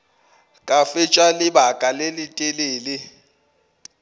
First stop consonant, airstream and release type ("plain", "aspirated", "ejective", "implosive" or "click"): ejective